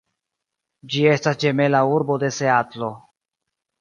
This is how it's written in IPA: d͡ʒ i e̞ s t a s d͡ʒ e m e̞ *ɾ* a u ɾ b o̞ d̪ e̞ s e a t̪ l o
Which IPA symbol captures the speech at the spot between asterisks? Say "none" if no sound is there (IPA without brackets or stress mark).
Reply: l